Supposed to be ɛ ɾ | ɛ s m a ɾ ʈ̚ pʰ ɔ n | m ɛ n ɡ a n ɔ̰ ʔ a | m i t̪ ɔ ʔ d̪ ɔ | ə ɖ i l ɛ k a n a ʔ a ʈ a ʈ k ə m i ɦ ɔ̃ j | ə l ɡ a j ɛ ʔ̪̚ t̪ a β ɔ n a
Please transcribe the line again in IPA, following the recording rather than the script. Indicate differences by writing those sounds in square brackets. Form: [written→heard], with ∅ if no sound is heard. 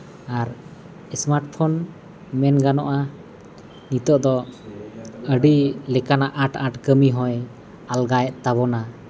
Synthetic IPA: [ɛ→a] ɾ | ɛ s m a ɾ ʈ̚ pʰ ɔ n | m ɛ n ɡ a n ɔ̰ ʔ a | [m→n] i t̪ ɔ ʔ d̪ ɔ | ə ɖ i l ɛ k a n a ʔ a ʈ a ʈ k ə m i ɦ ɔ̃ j | [ə→a] l ɡ a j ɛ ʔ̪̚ t̪ a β ɔ n a